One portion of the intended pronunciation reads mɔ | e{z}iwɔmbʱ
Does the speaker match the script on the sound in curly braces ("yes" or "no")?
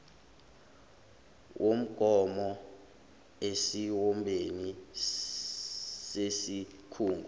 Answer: no